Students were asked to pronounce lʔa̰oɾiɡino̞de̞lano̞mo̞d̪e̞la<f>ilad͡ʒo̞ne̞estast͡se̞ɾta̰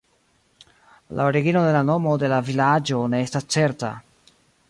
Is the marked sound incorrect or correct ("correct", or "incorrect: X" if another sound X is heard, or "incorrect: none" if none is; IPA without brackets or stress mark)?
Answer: incorrect: v